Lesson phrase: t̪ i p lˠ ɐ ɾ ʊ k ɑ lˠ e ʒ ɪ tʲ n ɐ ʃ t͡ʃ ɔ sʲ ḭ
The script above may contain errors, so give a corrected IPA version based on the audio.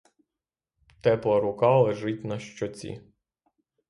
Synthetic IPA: t̪ ɛ p lˠ ɐ ɾ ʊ k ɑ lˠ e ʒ ɪ tʲ n ɐ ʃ t͡ʃ ɔ t͡sʲ ḭ